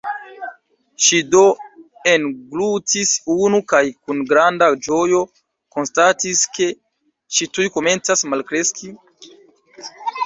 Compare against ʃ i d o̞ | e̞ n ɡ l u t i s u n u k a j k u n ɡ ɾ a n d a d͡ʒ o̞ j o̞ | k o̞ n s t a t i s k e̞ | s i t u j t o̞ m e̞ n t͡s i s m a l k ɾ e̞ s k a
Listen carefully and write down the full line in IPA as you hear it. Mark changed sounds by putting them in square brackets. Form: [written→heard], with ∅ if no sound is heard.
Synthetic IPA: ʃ i d o̞ | e̞ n ɡ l u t i s u n u k a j k u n ɡ ɾ a n d a d͡ʒ o̞ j o̞ | k o̞ n s t a t i s k e̞ | [s→ʃ] i t u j [t→k] o̞ m e̞ n t͡s [i→a] s m a l k ɾ e̞ s k [a→i]